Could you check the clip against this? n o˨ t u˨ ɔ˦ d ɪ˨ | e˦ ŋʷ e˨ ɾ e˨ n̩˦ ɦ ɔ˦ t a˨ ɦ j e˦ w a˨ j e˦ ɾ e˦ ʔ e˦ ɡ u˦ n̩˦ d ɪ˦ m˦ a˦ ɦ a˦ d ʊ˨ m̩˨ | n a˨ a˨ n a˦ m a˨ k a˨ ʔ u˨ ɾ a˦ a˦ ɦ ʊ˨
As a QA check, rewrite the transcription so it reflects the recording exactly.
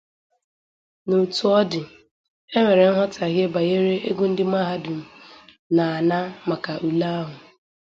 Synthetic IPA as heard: n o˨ t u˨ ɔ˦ d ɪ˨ | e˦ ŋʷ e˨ ɾ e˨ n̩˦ ɦ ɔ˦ t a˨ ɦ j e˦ b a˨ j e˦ ɾ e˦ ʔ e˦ ɡ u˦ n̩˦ d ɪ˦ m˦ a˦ ɦ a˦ d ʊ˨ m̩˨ | n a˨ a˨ n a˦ m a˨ k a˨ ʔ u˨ l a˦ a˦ ɦ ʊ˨